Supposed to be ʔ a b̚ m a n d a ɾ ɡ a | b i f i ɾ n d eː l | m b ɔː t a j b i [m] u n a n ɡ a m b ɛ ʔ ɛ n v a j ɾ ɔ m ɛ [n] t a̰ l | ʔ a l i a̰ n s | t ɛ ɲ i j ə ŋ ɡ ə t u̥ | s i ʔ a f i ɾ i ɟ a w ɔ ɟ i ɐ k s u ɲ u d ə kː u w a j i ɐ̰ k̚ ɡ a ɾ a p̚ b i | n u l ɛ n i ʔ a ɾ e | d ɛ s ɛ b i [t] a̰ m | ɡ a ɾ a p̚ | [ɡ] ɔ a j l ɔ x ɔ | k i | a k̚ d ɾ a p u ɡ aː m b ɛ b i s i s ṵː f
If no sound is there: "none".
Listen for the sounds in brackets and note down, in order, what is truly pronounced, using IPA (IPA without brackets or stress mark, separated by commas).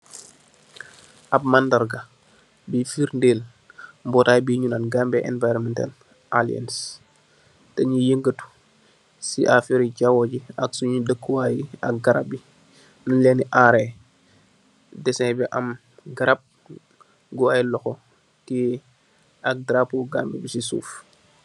ɲ, n, ʔ, ɡ